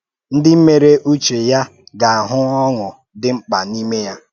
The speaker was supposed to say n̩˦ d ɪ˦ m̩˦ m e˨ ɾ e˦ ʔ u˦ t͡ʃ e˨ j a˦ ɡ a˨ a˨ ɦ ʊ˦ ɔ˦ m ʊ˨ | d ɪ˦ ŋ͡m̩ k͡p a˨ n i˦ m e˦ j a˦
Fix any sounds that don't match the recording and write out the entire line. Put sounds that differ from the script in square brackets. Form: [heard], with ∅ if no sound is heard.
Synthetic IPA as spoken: n̩˦ d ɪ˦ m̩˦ m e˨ ɾ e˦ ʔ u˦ t͡ʃ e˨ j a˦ ɡ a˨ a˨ ɦ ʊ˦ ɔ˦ [ŋ] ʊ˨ | d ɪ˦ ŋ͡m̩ k͡p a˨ n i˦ m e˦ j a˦

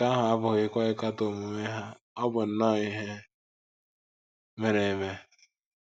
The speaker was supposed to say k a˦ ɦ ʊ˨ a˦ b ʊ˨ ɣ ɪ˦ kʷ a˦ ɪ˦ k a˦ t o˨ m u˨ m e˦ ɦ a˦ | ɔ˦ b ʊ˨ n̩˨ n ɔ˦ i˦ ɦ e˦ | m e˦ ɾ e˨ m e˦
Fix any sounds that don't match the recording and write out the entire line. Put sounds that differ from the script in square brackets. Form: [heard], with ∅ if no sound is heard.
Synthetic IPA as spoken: k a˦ ɦ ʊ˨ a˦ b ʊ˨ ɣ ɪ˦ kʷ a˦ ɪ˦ k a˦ t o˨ m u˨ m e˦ ɦ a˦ | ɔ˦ b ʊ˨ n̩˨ n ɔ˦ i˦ ɦ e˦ | m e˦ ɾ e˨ m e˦

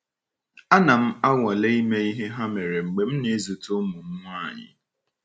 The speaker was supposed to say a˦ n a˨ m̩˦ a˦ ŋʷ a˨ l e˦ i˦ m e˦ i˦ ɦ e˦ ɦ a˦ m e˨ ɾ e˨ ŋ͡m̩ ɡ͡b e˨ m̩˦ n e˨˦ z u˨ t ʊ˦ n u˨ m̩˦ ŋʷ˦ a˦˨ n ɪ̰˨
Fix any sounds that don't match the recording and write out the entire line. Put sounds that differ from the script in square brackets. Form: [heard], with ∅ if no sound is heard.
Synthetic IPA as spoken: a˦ n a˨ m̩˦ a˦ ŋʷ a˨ l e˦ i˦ m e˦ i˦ ɦ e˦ ɦ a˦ m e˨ ɾ e˨ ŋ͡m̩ ɡ͡b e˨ m̩˦ n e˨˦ z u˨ t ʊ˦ [m] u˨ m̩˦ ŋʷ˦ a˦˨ [ɲ] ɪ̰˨

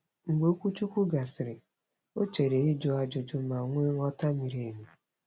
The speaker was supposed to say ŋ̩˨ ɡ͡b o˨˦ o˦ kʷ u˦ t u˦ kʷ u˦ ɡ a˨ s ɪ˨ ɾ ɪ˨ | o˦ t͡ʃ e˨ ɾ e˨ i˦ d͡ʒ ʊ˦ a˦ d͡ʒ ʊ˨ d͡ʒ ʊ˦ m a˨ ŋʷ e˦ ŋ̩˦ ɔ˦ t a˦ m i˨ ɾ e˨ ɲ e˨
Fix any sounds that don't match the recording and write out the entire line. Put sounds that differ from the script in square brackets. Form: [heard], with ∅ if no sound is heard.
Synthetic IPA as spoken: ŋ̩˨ ɡ͡b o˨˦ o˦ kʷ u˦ [t͡ʃ] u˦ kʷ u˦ ɡ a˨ s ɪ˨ ɾ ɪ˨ | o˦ t͡ʃ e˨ ɾ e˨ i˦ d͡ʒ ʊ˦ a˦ d͡ʒ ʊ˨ d͡ʒ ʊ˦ m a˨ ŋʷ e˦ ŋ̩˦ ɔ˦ t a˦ m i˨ ɾ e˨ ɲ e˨

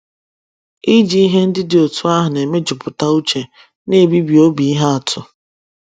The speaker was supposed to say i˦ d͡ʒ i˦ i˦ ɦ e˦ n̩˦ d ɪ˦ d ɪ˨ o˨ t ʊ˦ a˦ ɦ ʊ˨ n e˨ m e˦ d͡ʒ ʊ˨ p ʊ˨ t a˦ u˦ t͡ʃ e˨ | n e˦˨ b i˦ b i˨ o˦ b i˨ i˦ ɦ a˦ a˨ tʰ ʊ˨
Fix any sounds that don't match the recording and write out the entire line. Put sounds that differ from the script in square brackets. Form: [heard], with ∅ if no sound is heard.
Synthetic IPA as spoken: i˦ d͡ʒ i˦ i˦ ɦ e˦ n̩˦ d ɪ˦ d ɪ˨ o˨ t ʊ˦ a˦ ɦ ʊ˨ n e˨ m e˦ d͡ʒ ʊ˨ p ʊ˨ t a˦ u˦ t͡ʃ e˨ | n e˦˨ b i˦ b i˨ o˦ b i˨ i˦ ɦ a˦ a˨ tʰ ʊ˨

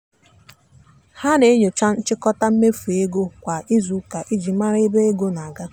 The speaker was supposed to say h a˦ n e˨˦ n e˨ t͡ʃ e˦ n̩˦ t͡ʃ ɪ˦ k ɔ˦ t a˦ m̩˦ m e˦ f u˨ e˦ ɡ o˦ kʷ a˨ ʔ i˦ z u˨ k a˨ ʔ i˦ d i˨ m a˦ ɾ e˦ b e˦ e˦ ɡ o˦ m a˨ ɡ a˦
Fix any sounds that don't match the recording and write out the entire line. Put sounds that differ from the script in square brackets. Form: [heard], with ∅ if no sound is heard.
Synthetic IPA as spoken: h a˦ n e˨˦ [ɲ] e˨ t͡ʃ [a˦] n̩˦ t͡ʃ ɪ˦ k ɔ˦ t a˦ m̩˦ m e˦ f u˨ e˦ ɡ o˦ kʷ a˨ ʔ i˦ z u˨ k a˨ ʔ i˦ [d͡ʒ] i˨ m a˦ ɾ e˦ b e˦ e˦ ɡ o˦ [n] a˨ ɡ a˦

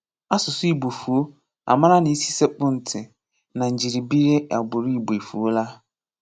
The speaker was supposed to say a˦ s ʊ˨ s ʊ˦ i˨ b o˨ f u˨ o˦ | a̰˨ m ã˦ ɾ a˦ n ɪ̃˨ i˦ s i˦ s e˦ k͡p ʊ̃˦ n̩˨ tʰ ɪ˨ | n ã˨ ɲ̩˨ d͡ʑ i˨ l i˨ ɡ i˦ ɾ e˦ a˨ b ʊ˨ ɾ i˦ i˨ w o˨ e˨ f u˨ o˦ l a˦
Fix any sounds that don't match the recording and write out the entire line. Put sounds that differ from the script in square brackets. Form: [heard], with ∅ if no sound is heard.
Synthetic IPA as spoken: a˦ s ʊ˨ s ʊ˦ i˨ b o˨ f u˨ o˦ | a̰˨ m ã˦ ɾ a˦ n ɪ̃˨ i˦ s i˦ s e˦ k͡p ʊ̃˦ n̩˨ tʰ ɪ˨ | n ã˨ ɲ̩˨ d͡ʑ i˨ [ɾ] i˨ [b] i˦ ɾ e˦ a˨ b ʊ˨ ɾ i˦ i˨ [b] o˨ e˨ f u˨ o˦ l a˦

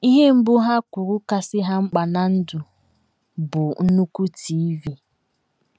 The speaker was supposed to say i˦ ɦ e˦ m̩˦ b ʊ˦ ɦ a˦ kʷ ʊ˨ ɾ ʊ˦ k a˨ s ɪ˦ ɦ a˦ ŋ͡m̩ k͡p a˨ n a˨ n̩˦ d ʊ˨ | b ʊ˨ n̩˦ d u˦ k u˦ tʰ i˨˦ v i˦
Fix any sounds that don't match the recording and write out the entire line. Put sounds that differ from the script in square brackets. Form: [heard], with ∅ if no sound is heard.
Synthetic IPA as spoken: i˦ ɦ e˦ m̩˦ b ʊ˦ ɦ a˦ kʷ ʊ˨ ɾ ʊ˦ k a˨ s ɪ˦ ɦ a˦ ŋ͡m̩ k͡p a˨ n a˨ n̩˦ d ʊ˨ | b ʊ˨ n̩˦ [n] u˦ k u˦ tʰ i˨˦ v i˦

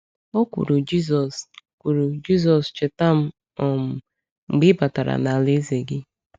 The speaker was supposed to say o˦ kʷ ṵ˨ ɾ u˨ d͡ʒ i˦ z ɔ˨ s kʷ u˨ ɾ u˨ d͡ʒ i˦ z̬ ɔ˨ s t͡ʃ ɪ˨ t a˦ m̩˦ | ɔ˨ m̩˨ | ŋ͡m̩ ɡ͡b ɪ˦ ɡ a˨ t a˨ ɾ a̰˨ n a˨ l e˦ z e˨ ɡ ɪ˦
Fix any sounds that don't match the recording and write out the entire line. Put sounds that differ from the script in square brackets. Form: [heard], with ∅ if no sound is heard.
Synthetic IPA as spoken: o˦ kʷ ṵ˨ ɾ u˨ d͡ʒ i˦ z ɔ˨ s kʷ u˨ ɾ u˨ d͡ʒ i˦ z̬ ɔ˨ s t͡ʃ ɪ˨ t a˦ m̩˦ | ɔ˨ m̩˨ | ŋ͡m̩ ɡ͡b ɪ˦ [b] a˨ t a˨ ɾ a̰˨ n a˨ l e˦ z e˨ ɡ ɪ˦

